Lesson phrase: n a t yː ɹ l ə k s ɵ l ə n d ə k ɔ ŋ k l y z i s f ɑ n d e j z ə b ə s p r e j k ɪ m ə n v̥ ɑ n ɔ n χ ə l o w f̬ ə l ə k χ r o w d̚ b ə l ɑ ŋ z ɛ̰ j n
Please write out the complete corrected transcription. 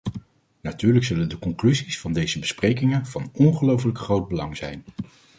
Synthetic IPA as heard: n a t yː ɹ l ə k s ɵ l ə n d ə k ɔ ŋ k l y z i s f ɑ n d e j z ə b ə s p r e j k ɪ ŋ ə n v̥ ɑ n ɔ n χ ə l o w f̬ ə l ə k χ r o w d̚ b ə l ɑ ŋ z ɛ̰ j n